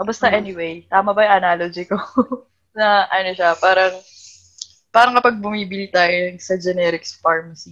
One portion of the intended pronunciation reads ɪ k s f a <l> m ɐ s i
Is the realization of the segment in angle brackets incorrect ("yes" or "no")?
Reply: yes